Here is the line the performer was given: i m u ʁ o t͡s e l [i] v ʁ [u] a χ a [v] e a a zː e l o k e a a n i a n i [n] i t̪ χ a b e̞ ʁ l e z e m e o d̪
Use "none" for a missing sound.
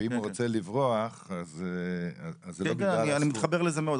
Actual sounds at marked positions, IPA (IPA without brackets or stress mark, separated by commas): i, o, z, m